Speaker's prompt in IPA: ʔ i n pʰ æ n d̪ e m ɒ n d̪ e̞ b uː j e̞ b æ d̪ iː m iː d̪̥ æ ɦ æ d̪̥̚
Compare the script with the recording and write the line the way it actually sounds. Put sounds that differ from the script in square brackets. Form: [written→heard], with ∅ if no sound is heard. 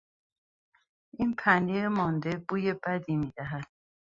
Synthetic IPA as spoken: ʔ i n pʰ æ n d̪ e m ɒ n d̪ e̞ b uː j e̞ b æ d̪ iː m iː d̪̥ æ ɦ æ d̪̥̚